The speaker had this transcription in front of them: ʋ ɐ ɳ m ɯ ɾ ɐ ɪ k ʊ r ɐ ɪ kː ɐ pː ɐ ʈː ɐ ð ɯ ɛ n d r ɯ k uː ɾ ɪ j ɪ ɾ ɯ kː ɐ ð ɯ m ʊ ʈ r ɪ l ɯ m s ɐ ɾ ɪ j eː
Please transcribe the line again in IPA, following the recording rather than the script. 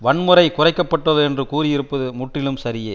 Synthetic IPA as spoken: ʋ ɐ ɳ m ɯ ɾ ɐ ɪ k ʊ r ɐ ɪ kː ɐ pː ɐ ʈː ɐ ð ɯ ɛ n d r ɯ k uː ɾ ɪ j ɪ ɾ ɯ pː ɐ ð ɯ m ʊ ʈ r ɪ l ɯ m s ɐ ɾ ɪ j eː

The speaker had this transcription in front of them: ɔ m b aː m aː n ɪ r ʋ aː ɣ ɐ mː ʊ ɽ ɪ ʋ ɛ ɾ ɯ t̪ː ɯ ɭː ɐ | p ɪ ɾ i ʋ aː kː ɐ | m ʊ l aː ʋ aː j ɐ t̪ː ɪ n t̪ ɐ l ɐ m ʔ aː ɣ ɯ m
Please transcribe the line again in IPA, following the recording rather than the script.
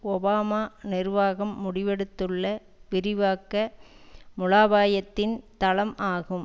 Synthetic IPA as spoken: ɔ b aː m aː n ɪ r ʋ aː ɣ ɐ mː ʊ ɽ ɪ ʋ ɛ ɽ ɯ t̪ː ɯ ɭː ɐ | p ɪ ɾ ɪ ʋ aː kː ɐ | m ʊ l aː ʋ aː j ɐ t̪ː ɪ n t̪ ɐ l ɐ m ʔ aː ɣ ɯ m

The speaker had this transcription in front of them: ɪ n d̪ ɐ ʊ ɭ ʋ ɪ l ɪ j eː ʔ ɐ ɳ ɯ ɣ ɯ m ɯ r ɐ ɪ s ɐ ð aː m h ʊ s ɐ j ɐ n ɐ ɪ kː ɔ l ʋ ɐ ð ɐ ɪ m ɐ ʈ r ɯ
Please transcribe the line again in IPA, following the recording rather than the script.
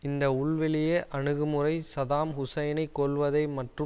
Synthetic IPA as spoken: ɪ n d̪ ɐ ʊ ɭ ʋ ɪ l ɪ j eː ʔ ɐ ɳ ɯ ɣ ɯ m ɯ r ɐ ɪ s ɐ ð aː m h ʊ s ɐ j ɐ n ɐ ɪ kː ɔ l ʋ ɐ ð ɐ ɪ m ɐ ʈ r ɯ

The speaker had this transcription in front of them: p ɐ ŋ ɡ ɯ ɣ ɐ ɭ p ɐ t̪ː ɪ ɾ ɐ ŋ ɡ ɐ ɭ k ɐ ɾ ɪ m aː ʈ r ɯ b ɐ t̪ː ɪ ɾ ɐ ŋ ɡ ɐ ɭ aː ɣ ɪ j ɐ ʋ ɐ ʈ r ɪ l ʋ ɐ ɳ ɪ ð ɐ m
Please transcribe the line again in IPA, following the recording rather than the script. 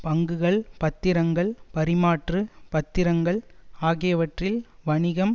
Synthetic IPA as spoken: p ɐ ŋ ɡ ɯ ɣ ɐ ɭ p ɐ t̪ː ɪ ɾ ɐ ŋ ɡ ɐ ɭ p ɐ ɾ ɪ m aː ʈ r ɯ p ɐ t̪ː ɪ ɾ ɐ ŋ ɡ ɐ ɭ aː ɣ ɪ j ɐ ʋ ɐ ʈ r ɪ l ʋ ɐ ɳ ɪ ɣ ɐ m

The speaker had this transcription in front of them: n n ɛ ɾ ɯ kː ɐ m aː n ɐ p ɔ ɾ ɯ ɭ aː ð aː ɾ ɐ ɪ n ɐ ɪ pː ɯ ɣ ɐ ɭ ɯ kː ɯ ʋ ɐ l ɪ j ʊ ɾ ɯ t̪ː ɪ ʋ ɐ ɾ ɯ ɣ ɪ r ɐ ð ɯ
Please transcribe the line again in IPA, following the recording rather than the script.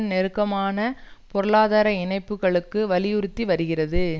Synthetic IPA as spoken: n n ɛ ɾ ɯ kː ɐ m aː n ɐ p ɔ ɾ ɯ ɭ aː ð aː ɾ ɐ ɪ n ɐ ɪ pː ɯ ɣ ɐ ɭ ɯ kː ɯ ʋ ɐ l ɪ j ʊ ɾ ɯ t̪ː i ʋ ɐ ɾ ɯ ɣ ɪ r ɐ ð ɯ

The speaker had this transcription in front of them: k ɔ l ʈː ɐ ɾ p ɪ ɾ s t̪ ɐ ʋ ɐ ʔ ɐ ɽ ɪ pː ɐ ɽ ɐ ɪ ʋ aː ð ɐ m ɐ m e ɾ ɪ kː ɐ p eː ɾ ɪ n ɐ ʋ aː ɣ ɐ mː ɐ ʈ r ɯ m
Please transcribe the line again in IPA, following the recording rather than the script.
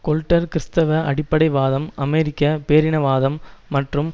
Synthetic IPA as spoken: k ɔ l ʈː ɐ ɾ k ɪ ɾ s t̪ ɐ ʋ ɐ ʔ ɐ ɽ ɪ pː ɐ ɽ ɐ ɪ ʋ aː ð ɐ m ɐ m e ɾ ɪ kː ɐ p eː ɾ ɪ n ɐ ʋ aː ð ɐ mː ɐ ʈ r ɯ m

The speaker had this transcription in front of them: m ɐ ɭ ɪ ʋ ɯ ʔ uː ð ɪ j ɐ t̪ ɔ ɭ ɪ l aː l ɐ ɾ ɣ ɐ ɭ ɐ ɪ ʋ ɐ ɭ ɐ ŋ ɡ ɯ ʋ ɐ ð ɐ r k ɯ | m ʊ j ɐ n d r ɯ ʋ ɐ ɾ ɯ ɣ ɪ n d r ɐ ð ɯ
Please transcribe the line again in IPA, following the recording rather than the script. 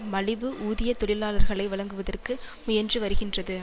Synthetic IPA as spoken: m ɐ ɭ ɪ ʋ ɯ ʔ uː ð ɪ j ɐ t̪ ɔ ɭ ɪ l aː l ɐ ɾ ɣ ɐ ɭ ɐ ɪ ʋ ɐ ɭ ɐ ŋ ɡ ɯ ʋ ɐ ð ɐ r k ɯ | m ʊ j ɐ n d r ɯ ʋ ɐ ɾ ɯ ɣ ɪ n d r ɐ ð ɯ

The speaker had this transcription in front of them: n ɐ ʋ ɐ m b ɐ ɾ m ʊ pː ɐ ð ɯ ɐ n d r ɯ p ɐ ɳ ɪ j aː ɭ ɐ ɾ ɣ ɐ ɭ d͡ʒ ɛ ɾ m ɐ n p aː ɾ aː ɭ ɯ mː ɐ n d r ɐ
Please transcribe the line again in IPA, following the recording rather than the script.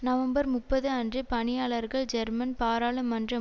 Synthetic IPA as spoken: n ɐ ʋ ɐ m b ɐ ɾ m ʊ pː ɐ ð ɯ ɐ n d r ɯ p ɐ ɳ ɪ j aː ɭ ɐ ɾ ɣ ɐ ɭ d͡ʒ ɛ ɾ m ɐ n p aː ɾ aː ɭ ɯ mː ɐ n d r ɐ

